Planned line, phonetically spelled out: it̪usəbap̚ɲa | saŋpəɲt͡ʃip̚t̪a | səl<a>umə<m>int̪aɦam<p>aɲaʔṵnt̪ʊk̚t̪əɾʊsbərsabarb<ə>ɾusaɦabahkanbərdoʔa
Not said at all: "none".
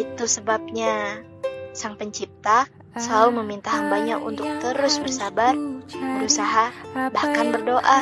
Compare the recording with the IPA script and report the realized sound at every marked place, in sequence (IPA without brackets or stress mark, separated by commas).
a, m, b, ə